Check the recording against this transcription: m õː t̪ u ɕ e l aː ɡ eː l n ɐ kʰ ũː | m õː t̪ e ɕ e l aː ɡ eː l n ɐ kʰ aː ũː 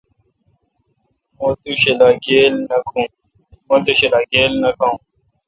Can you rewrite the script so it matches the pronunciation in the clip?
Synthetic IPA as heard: m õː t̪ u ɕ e l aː ɡ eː l n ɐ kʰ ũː | m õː t̪ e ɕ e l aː ɡ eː l n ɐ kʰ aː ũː